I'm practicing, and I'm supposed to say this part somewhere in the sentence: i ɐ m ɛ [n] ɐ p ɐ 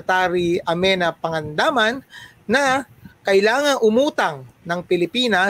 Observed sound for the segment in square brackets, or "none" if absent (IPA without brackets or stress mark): n